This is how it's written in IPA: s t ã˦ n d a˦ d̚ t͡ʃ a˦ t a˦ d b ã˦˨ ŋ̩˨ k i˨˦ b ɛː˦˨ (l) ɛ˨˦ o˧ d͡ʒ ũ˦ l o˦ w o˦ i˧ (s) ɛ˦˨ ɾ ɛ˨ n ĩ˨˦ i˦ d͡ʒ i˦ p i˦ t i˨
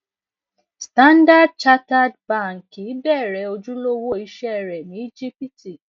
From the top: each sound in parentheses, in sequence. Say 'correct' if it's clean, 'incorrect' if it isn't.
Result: incorrect, incorrect

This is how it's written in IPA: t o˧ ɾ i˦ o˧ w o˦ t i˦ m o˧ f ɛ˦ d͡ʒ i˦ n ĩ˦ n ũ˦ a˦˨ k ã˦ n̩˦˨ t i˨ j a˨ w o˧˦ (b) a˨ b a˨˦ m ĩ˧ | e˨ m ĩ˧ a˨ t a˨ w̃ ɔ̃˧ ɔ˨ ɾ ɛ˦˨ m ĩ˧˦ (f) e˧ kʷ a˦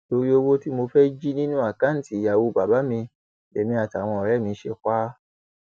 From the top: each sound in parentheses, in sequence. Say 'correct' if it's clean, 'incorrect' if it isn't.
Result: correct, incorrect

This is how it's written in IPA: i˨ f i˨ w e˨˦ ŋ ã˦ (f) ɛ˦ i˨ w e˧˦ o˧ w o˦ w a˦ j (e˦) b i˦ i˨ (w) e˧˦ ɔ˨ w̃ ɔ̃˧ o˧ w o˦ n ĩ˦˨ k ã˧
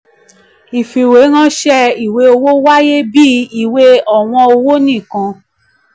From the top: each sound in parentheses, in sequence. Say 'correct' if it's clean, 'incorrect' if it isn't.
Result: incorrect, correct, correct

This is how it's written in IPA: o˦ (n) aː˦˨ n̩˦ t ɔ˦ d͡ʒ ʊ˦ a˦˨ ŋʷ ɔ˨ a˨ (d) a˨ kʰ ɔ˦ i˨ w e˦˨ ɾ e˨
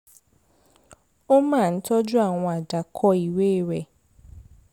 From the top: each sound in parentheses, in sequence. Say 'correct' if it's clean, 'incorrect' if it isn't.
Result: incorrect, correct

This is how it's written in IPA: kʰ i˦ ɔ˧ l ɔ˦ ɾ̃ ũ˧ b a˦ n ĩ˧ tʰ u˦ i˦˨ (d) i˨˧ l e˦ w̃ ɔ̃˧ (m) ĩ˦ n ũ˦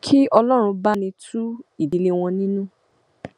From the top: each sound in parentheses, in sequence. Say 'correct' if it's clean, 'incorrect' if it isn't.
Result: correct, incorrect

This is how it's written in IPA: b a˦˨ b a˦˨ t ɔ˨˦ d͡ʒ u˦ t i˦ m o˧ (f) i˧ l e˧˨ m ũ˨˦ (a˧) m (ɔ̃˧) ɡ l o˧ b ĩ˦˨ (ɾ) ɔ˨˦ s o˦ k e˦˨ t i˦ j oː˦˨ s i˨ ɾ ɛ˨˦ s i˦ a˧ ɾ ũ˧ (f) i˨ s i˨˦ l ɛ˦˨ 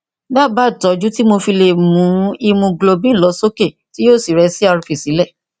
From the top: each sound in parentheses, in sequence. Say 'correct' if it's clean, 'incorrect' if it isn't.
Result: correct, incorrect, incorrect, incorrect, correct

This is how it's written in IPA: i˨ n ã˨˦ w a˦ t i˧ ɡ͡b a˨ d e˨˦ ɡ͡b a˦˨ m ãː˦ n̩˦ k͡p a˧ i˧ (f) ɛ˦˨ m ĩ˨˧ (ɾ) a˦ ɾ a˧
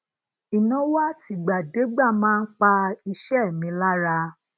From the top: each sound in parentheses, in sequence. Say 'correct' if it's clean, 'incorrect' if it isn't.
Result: incorrect, incorrect

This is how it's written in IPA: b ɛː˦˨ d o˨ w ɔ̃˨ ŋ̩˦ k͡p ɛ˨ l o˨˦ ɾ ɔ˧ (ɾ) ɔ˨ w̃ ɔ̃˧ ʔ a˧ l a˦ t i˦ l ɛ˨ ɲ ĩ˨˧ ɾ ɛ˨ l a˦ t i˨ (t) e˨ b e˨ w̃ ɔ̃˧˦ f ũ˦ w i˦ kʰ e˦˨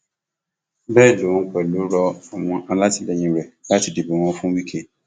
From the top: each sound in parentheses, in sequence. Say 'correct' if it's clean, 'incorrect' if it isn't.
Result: incorrect, incorrect

